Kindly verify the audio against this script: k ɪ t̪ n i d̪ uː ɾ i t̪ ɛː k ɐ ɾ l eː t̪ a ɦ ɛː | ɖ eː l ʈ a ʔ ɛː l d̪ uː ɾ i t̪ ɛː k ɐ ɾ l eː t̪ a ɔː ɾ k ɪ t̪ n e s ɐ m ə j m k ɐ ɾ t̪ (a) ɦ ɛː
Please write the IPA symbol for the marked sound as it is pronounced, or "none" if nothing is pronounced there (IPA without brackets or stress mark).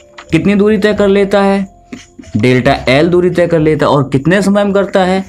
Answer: a